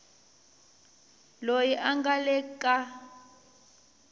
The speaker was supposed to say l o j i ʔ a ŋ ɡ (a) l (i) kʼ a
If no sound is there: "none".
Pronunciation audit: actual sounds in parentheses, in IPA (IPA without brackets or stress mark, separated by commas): a, ɛ